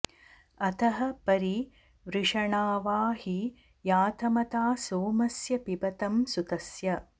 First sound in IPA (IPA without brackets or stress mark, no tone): ɐ